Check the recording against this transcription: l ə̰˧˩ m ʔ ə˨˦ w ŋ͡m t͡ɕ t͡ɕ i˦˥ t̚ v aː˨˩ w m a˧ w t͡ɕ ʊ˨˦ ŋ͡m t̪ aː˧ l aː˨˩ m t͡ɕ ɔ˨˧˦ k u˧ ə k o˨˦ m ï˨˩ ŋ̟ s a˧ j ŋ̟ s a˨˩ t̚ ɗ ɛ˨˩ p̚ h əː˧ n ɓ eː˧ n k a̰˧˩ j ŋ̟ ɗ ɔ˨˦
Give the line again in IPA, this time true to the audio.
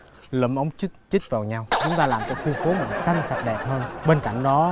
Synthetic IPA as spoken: l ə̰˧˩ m ʔ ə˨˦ w ŋ͡m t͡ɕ t͡ɕ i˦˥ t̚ v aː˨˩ w ɲ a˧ w t͡ɕ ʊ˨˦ ŋ͡m t̪ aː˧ l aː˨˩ m t͡ɕ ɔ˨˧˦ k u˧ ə k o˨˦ m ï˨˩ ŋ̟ s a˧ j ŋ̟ s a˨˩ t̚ ɗ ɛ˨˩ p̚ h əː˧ n ɓ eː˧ n k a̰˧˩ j ŋ̟ ɗ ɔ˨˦